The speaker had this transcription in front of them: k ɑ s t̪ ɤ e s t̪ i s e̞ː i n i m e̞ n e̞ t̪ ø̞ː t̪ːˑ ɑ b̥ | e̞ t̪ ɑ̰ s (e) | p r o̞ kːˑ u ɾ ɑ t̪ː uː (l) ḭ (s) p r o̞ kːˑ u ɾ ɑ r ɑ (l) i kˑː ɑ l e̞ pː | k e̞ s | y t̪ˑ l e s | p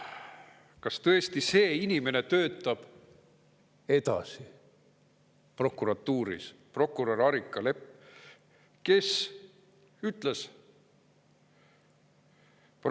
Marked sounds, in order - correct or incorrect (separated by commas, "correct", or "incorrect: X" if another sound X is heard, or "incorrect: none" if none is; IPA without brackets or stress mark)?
incorrect: i, incorrect: ɾ, correct, incorrect: ɾ